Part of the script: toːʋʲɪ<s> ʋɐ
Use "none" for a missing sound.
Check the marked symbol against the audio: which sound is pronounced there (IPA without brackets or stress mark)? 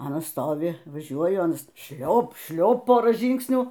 none